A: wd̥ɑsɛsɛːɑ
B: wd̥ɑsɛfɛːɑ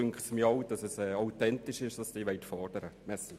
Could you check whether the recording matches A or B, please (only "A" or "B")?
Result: A